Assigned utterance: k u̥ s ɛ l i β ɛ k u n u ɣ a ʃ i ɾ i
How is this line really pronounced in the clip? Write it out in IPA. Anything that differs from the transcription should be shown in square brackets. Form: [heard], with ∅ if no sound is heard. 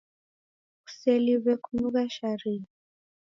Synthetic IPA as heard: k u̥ s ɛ l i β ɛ k u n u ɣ a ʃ [a] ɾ i

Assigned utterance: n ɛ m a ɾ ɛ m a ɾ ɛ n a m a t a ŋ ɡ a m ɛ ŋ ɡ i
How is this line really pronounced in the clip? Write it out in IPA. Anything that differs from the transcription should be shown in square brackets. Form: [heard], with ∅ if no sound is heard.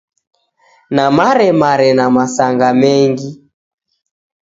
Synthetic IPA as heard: n [a] m a ɾ ɛ m a ɾ ɛ n a m a [s] a ŋ ɡ a m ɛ ŋ ɡ i

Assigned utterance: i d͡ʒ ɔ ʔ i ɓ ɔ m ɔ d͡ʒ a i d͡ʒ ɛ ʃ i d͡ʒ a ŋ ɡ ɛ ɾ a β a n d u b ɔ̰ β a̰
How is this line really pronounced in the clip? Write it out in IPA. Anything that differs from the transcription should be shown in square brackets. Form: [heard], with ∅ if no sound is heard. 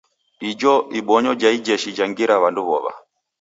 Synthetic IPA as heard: i d͡ʒ ɔ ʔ i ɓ ɔ [ɲ] ɔ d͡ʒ a i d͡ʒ ɛ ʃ i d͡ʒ a ŋ ɡ [i] ɾ a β a n d u [β] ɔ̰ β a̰

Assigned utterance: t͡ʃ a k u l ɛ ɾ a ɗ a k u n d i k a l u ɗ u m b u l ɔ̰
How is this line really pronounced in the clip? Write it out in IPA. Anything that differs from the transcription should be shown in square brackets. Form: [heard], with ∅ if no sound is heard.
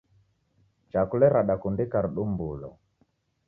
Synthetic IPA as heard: t͡ʃ a k u l ɛ ɾ a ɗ a k u n d i k a [ɾ] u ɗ u m b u l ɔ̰

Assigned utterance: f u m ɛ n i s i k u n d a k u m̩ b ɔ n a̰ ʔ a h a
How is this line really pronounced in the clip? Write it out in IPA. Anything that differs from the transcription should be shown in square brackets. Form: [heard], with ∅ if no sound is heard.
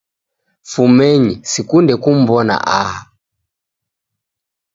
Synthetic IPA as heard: f u m ɛ [ɲ] i s i k u n d [ɛ] k u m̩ b ɔ n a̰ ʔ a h a

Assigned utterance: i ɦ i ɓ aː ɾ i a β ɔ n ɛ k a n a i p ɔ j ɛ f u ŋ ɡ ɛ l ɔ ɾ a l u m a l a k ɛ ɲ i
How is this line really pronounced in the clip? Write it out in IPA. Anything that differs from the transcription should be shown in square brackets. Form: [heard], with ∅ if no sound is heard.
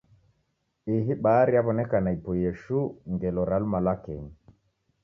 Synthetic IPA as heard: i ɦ i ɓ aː ɾ i a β ɔ n ɛ k a n a i p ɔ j ɛ [ʃ] u ŋ ɡ ɛ l ɔ ɾ a l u m a l a k ɛ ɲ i

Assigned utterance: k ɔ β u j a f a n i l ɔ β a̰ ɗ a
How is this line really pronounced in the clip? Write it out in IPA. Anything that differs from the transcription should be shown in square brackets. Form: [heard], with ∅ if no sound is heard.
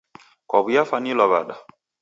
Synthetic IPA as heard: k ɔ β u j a f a n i l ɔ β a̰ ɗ a

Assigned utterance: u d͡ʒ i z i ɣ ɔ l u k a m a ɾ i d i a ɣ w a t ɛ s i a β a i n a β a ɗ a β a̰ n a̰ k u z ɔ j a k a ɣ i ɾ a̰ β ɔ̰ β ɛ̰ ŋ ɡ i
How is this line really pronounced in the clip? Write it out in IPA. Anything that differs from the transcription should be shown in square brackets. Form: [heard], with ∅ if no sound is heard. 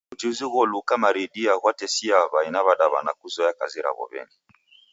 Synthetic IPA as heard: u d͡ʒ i z i ɣ ɔ l u k a m a ɾ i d i a ɣ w a t ɛ s i a β a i n a β a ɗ a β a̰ n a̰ k u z ɔ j a k a [z] i ɾ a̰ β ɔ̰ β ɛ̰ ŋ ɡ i

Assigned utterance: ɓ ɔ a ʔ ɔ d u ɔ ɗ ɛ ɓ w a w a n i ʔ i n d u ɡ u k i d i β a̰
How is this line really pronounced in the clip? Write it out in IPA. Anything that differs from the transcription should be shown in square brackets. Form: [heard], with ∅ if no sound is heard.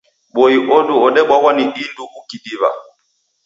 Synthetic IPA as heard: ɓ ɔ [i] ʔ ɔ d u ɔ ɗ ɛ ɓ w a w a n i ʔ i n d u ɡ u k i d i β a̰

